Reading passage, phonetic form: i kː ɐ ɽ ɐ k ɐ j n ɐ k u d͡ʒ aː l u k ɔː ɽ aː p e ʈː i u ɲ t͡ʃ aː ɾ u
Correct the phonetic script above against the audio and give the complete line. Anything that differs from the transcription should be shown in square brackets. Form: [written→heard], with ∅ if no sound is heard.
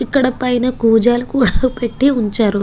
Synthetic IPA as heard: i kː ɐ ɽ ɐ [k→p] ɐ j n ɐ k [u→uː] d͡ʒ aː l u k [ɔː→uː] ɽ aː p e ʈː i u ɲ t͡ʃ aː ɾ u